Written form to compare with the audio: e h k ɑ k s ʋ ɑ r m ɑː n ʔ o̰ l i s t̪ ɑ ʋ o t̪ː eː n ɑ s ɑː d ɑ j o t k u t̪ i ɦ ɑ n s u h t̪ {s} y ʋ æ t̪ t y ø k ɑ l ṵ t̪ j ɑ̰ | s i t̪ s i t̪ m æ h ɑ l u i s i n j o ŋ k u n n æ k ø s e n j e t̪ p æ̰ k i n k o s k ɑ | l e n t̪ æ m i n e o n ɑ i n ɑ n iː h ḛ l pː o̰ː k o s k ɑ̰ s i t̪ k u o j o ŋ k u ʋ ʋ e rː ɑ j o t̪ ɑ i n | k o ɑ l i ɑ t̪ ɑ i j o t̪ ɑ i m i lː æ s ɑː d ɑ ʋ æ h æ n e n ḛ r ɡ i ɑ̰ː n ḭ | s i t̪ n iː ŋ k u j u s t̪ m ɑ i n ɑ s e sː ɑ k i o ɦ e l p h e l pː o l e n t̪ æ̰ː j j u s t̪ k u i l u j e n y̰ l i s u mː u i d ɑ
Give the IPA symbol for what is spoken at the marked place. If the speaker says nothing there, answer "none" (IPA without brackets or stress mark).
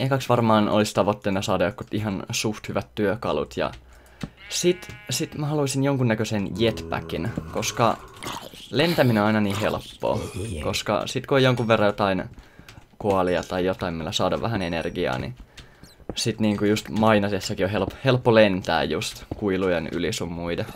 h